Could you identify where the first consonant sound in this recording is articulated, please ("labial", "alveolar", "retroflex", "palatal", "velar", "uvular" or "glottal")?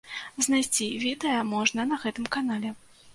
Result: alveolar